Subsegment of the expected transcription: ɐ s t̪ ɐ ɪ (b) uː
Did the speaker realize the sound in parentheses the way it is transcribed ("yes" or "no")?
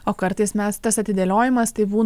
yes